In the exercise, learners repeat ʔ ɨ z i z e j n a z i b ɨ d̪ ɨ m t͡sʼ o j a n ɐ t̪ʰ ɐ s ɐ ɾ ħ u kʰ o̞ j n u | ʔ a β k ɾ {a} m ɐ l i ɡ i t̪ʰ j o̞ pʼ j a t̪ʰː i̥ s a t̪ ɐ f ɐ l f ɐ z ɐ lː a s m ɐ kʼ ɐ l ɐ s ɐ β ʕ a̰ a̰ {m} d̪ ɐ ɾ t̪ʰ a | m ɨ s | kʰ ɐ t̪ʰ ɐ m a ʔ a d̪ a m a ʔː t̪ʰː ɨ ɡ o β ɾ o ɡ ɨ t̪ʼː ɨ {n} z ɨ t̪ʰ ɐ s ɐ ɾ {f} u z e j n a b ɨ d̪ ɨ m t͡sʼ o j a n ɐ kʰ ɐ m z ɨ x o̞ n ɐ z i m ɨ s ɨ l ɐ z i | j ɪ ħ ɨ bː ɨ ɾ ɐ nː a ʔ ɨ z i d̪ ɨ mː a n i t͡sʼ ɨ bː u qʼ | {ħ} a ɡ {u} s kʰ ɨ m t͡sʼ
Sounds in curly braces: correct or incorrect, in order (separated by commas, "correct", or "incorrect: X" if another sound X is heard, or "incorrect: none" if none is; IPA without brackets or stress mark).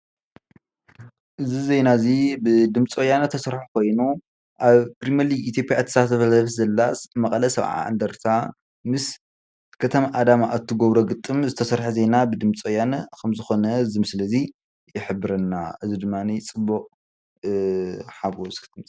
incorrect: i, incorrect: n, incorrect: m, incorrect: ħ, correct, incorrect: o